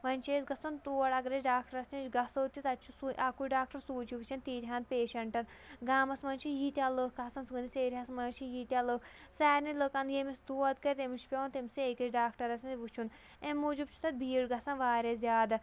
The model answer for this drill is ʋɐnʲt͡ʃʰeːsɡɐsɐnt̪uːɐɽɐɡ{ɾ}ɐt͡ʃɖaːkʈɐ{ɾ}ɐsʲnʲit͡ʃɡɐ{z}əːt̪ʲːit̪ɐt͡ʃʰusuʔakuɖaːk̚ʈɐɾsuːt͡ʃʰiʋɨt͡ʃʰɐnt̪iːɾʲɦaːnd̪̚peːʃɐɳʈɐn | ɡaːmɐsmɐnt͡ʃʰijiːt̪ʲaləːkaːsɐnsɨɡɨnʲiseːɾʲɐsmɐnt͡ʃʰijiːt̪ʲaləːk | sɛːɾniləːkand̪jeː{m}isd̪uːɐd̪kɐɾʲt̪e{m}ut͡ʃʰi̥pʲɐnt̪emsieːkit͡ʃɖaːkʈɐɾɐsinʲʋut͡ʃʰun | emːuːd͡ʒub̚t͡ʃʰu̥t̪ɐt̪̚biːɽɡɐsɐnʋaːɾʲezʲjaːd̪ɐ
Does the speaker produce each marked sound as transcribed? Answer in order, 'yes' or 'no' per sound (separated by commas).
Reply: yes, yes, no, yes, yes